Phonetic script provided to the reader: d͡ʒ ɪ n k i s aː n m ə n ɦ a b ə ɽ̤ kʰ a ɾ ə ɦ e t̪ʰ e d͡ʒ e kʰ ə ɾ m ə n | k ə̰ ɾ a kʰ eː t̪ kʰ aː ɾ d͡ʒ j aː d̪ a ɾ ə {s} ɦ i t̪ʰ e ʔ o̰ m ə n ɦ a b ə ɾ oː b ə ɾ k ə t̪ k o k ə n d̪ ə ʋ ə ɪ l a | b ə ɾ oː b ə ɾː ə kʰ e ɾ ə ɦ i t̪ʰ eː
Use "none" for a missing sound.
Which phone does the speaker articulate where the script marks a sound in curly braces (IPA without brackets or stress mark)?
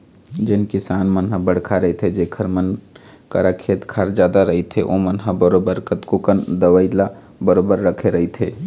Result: none